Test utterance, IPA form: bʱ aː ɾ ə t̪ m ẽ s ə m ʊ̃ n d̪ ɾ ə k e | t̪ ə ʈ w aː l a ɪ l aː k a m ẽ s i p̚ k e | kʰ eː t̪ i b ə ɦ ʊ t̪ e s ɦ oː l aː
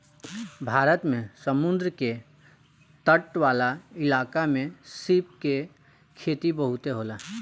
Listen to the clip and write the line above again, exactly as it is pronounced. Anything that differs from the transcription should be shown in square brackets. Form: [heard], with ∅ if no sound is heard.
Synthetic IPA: bʱ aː ɾ ə t̪ m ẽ s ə m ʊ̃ n d̪ ɾ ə k e | t̪ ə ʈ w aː l a ɪ l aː k a m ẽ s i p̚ k e | kʰ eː t̪ i b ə ɦ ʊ t̪ e [∅] ɦ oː l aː